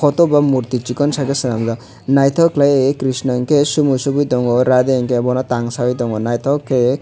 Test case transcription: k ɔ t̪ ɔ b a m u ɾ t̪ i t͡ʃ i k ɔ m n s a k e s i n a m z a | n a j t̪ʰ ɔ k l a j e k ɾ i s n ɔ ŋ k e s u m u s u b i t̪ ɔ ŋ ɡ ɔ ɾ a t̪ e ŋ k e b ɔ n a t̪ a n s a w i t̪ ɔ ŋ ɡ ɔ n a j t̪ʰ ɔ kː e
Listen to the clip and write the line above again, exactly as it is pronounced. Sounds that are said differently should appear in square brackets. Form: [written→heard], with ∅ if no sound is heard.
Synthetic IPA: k ɔ t̪ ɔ b a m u ɾ t̪ i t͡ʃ i k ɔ [m→∅] n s a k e s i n a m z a | n a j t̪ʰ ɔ k l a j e k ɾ i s n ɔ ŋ k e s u m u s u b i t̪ ɔ ŋ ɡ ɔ ɾ a [t̪→d̪] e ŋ k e b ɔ n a t̪ a [n→ŋ] s a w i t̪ ɔ ŋ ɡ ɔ n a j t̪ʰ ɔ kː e